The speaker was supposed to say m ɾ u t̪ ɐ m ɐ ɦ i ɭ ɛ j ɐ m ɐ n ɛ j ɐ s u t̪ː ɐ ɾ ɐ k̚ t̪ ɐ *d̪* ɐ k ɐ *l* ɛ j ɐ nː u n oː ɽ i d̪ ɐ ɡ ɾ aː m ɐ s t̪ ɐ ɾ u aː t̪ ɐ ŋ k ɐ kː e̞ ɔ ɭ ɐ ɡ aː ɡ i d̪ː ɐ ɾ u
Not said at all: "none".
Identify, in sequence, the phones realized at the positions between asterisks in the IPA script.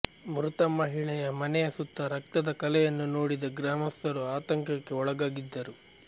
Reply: d̪, l

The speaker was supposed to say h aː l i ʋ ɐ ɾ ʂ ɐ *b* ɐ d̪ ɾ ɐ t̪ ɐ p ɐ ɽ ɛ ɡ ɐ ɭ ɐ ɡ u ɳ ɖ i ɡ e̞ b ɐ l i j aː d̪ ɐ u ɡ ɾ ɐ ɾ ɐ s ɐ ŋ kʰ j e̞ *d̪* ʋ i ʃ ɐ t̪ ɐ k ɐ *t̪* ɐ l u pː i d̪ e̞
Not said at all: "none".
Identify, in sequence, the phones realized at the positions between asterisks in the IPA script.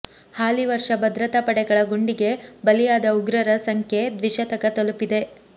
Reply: b, d̪, t̪

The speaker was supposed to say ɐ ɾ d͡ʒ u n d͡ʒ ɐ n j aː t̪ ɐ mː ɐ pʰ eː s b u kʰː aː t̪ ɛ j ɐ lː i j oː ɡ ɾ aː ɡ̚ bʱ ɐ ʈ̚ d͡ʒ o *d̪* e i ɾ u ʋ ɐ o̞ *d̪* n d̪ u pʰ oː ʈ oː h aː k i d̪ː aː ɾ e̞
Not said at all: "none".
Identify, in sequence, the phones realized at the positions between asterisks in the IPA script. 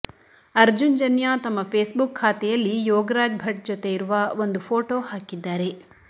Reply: t̪, none

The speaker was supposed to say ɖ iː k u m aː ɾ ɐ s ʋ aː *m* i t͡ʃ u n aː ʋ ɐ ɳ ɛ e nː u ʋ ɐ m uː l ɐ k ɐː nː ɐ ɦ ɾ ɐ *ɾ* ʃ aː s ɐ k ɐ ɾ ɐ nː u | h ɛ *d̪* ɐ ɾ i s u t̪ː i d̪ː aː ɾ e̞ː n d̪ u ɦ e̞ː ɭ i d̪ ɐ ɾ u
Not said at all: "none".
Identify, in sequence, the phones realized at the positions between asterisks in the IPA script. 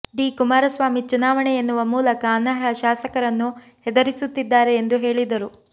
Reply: m, none, d̪

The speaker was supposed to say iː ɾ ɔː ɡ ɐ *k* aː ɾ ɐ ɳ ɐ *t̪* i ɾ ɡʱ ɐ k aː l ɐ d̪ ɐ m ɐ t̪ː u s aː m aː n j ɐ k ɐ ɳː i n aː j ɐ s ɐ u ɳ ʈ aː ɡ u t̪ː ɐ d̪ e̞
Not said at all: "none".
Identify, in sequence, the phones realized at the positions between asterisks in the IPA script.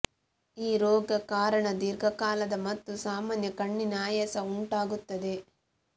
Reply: k, d̪

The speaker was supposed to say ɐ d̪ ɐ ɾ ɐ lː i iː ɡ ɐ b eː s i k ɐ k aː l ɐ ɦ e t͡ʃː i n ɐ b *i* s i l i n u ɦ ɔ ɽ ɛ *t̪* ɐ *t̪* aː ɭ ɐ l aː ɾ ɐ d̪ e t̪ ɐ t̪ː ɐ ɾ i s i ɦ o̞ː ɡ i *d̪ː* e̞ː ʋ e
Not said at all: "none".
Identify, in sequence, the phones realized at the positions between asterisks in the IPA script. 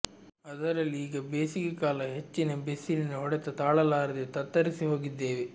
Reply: e, t̪, t̪, d̪ː

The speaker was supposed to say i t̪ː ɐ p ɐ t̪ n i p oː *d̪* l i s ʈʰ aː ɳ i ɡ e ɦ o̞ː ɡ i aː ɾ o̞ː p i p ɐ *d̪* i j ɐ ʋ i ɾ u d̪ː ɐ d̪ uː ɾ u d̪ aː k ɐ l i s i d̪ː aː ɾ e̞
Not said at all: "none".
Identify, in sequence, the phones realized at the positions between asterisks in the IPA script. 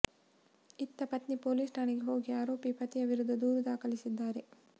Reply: none, t̪

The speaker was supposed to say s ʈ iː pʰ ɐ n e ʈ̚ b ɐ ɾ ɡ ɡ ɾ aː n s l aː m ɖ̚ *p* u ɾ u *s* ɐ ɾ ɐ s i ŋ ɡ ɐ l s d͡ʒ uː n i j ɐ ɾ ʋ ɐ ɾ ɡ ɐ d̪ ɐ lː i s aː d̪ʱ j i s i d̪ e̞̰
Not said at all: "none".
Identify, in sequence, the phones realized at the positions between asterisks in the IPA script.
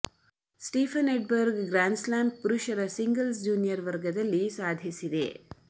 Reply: p, ʃ

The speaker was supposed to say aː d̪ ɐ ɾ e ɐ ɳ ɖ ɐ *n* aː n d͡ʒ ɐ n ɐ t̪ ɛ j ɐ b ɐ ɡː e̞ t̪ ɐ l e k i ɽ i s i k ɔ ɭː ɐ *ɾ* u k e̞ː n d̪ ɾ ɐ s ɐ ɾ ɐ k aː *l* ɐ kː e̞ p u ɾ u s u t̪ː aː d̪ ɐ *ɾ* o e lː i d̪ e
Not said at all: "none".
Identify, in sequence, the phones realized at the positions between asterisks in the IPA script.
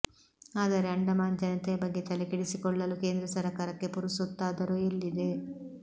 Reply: m, l, ɾ, ɾ

